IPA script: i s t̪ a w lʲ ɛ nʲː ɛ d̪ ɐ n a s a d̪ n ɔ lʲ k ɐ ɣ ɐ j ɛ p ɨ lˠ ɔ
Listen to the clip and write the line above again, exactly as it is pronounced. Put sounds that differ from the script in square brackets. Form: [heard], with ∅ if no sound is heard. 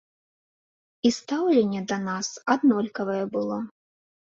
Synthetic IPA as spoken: i s t̪ a w lʲ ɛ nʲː ɛ d̪ ɐ n a s a d̪ n ɔ lʲ k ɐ [v] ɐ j ɛ [b] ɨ lˠ ɔ